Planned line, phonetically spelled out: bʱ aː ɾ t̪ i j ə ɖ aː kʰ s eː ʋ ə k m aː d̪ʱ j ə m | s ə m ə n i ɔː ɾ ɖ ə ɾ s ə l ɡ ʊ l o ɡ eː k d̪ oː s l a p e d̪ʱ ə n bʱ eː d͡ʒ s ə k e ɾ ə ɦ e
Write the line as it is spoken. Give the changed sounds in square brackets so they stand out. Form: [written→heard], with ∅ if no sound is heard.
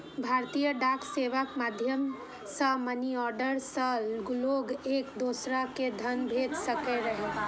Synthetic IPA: bʱ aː ɾ t̪ i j ə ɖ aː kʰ s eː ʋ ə k m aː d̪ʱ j ə m | s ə m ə n i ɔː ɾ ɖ ə ɾ s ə l ɡ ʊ l o ɡ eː k d̪ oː s [l→ɾ] a [p→k] e d̪ʱ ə n bʱ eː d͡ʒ s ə k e ɾ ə ɦ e

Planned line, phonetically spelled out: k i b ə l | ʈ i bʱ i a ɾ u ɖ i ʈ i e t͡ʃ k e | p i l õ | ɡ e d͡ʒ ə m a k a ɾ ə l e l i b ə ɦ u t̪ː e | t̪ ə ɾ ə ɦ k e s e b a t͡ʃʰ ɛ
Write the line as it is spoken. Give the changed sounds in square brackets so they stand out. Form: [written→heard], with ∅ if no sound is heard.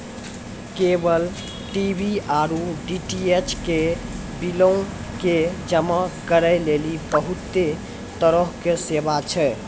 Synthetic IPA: k [i→e] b ə l | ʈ i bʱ i a ɾ u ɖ i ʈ i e t͡ʃ k e | [p→b] i l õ | [ɡ→k] e d͡ʒ ə m a k [a→ə] ɾ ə l e l i b ə ɦ u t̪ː e | t̪ ə ɾ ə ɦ k e s e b a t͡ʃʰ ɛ

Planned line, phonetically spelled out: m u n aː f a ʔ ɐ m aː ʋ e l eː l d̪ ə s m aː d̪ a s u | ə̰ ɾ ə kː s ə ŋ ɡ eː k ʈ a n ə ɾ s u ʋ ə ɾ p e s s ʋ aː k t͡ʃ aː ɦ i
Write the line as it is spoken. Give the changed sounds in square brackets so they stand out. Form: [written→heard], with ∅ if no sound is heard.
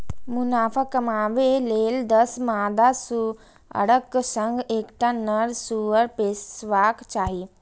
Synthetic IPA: m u n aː f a [ʔ→k] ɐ m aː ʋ e l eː l d̪ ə s m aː d̪ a s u | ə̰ [ɾ→ɽ] ə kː s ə ŋ ɡ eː k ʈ a n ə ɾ s u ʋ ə ɾ p e s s ʋ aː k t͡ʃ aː ɦ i

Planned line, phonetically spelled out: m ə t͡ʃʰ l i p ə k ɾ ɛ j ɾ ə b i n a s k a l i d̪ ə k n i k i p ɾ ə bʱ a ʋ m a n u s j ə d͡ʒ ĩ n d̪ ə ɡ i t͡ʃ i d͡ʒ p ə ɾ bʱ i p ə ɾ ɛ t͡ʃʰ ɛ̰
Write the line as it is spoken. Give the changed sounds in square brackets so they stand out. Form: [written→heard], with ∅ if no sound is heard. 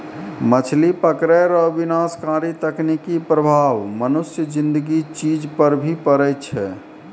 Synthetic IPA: m ə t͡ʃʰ l i p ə k ɾ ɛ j ɾ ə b i n a s k a [l→ɾ] i [d̪→t̪] ə k n i k i p ɾ ə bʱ a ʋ m [a→ə] n u s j ə d͡ʒ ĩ n d̪ ə ɡ i t͡ʃ i d͡ʒ p ə ɾ bʱ i p ə ɾ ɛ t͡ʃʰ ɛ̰

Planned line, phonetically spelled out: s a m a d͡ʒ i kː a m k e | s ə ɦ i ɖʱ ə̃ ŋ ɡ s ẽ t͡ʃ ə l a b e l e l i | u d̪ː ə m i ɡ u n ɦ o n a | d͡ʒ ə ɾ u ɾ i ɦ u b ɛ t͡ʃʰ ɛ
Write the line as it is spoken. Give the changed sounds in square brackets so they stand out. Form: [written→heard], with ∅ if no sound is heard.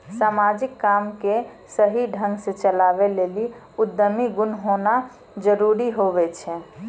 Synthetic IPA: s a m a d͡ʒ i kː a m k e | s ə ɦ i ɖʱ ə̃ ŋ ɡ s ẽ t͡ʃ ə l a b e l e l i | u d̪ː ə m i ɡ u n ɦ o n a | d͡ʒ ə ɾ u ɾ i ɦ [u→o] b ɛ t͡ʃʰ ɛ

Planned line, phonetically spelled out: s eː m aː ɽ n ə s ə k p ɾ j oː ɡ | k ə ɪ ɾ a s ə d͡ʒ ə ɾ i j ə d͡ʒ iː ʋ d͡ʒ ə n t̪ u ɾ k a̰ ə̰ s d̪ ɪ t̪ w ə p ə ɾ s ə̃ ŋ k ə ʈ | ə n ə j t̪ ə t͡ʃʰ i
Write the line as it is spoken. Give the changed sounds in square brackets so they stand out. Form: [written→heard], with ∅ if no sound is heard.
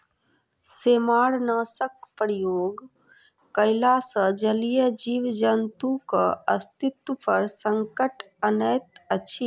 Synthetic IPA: s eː m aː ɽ n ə s ə k p ɾ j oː ɡ | k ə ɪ [ɾ→l] a s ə d͡ʒ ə [ɾ→l] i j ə d͡ʒ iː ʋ d͡ʒ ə n t̪ u [ɾ→∅] k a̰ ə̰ s [d̪→t̪] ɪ t̪ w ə p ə ɾ s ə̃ ŋ k ə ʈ | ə n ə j t̪ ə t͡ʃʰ i

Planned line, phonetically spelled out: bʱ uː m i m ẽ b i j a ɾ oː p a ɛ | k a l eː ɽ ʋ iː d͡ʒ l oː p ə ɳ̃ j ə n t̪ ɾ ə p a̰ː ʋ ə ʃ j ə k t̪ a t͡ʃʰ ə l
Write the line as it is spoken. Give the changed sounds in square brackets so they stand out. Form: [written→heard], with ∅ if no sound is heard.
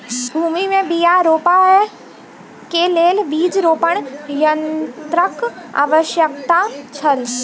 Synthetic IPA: bʱ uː m i m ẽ b i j a ɾ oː p a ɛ | k [a→e] l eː [ɽ→l] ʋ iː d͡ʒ [l→ɾ] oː p ə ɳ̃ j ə n t̪ ɾ ə [p→k] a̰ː ʋ ə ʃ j ə k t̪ a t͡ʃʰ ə l

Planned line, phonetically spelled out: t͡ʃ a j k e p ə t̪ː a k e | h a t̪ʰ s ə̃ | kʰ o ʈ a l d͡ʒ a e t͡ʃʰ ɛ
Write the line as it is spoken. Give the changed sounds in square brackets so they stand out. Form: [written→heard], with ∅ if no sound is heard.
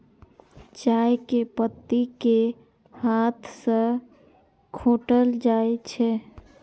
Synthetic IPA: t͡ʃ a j k e p ə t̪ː [a→i] k e | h a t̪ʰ s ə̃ | kʰ o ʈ [a→ə] l d͡ʒ a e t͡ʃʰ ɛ

